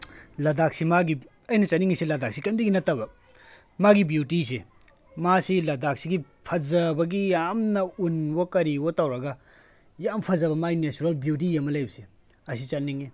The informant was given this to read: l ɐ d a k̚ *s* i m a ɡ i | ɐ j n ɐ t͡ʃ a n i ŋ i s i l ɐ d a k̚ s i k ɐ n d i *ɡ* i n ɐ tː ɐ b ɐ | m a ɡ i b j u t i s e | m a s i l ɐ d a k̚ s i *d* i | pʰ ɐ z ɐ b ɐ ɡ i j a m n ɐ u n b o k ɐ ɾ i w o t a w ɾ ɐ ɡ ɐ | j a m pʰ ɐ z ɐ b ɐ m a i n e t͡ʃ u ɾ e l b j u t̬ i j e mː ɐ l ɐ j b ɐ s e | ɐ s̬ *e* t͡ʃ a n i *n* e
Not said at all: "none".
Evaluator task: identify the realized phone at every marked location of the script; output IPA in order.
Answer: s, ɡ, ɡ, i, ŋ

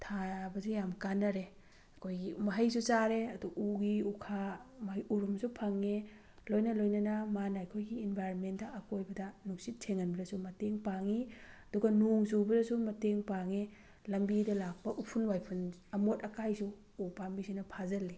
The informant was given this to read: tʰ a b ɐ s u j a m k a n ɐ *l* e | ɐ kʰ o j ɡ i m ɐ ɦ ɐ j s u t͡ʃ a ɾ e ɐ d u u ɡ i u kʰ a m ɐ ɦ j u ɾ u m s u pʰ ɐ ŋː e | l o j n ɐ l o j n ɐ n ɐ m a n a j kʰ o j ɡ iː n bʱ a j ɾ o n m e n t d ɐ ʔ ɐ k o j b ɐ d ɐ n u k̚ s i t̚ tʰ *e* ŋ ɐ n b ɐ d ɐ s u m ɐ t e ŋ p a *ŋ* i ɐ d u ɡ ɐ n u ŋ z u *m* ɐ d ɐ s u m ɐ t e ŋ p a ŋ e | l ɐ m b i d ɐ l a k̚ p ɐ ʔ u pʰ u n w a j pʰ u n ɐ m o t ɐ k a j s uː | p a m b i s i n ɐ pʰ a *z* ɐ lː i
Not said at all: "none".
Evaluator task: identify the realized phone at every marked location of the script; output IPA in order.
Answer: ɾ, e, ŋ, b, z

